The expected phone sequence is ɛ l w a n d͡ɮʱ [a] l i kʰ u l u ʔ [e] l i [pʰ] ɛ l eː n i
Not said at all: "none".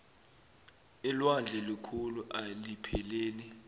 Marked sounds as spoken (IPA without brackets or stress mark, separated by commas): ɛ, a, pʰ